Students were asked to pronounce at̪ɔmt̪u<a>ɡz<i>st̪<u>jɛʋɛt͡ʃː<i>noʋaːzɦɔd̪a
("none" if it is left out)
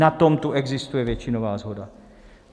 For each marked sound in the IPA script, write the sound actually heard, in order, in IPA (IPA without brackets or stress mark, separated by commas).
ɛ, i, u, i